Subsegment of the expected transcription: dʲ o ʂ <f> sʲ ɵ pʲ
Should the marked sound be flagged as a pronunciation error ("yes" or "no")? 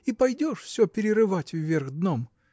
no